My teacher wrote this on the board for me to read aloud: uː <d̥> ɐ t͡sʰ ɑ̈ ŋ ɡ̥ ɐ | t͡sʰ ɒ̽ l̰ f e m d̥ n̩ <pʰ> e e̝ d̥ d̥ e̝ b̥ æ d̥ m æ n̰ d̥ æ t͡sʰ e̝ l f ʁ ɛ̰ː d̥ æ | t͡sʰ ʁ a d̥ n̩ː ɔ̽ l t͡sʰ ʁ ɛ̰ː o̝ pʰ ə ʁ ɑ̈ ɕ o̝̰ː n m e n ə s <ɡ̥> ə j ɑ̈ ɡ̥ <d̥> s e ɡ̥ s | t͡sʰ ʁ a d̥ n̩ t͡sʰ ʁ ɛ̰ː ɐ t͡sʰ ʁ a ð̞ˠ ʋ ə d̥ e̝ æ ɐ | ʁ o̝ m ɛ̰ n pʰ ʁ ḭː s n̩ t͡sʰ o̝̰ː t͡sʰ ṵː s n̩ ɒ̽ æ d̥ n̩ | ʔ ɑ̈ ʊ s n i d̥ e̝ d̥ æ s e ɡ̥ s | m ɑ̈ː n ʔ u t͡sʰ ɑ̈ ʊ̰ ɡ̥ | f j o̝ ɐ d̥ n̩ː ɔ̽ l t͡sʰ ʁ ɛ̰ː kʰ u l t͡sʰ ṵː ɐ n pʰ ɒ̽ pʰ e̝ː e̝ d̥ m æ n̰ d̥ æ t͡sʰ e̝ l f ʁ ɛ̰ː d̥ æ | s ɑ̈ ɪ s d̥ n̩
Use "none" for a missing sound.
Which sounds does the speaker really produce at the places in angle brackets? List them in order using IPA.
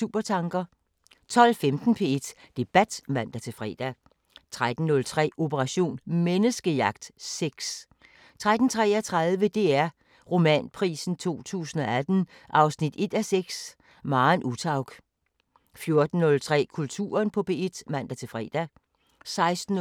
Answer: b̥, pʰ, ɡ̥, d̥

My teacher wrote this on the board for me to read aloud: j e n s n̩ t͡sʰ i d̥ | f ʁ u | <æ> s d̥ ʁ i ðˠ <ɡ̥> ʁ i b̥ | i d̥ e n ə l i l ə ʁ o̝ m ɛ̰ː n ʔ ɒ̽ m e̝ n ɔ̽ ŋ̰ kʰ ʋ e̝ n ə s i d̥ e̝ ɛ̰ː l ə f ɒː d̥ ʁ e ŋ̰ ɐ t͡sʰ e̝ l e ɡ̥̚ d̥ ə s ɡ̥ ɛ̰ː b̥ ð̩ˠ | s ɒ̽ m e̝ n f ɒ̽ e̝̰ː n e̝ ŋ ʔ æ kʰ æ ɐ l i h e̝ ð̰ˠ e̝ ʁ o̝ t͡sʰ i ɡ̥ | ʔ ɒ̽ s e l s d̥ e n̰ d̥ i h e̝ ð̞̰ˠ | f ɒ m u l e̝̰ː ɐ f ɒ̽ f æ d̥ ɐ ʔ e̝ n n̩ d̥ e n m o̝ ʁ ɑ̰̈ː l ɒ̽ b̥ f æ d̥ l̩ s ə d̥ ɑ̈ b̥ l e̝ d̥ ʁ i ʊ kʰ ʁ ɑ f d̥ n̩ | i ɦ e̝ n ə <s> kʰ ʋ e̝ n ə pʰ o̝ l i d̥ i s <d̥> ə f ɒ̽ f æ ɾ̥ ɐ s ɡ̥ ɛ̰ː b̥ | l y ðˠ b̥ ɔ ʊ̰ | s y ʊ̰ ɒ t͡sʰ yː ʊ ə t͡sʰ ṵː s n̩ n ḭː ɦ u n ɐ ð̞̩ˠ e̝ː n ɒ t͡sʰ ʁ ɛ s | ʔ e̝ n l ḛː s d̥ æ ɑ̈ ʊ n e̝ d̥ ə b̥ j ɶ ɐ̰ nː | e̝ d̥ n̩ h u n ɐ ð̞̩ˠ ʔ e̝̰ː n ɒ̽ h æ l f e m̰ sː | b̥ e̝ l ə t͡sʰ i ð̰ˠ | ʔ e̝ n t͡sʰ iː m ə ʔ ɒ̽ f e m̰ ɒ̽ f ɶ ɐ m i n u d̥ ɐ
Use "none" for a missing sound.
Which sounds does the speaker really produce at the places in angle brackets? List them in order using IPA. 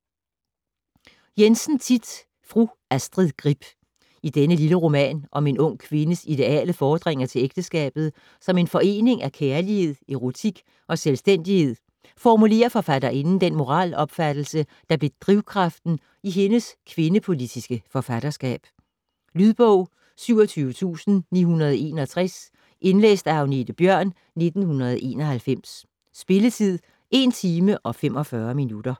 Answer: æ, ɡ̥, s, ɡ̥

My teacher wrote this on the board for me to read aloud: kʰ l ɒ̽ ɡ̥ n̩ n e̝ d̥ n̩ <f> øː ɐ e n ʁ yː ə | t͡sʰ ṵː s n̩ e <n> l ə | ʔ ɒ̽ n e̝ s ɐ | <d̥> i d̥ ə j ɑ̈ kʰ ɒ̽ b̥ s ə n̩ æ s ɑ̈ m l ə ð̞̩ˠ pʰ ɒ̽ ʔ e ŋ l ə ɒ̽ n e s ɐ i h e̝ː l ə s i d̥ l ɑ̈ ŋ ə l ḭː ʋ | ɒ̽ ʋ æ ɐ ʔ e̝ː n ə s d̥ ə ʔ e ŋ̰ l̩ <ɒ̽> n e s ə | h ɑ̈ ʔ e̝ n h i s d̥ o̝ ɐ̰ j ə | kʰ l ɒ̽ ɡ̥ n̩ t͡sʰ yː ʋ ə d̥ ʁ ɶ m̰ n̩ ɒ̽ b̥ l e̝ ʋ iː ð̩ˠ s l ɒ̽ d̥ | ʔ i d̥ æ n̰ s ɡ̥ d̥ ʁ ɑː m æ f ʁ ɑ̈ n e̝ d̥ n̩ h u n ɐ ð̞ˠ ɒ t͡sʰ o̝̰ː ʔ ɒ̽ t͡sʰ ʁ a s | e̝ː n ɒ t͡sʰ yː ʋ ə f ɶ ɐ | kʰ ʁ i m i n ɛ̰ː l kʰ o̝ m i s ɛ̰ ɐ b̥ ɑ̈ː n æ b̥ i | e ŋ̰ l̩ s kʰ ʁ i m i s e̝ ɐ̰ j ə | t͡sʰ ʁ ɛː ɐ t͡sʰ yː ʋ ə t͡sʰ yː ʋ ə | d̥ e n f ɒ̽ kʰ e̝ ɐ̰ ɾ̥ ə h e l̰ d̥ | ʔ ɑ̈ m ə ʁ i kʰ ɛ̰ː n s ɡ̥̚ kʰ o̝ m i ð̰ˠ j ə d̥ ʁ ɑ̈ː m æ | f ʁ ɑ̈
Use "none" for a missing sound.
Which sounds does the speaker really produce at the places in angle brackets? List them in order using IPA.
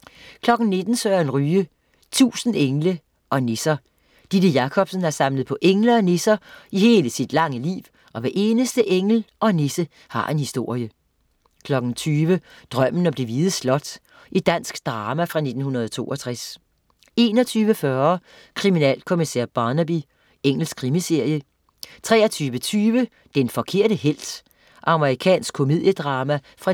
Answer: s, ŋ, d̥, ɒ̽

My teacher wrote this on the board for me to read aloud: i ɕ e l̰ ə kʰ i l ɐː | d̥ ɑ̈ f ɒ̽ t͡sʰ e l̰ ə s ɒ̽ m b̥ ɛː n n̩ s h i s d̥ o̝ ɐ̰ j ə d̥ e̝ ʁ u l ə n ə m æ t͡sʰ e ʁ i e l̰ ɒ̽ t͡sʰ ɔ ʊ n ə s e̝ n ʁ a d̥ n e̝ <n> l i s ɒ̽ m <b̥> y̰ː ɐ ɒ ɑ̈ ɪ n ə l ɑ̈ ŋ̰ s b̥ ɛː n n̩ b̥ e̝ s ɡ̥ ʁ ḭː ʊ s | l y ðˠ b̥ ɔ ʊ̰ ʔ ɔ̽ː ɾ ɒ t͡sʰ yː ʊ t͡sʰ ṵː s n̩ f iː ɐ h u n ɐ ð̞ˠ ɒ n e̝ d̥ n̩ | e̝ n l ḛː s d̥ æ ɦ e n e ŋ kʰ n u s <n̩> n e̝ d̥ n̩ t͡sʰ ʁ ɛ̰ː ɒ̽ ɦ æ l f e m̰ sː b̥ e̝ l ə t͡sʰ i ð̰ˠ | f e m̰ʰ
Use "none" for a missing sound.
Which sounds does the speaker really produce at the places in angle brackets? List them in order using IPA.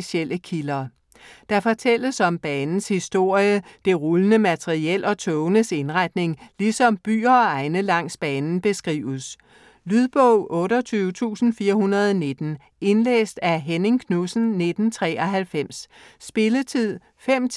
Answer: ŋ, b̥, n̩

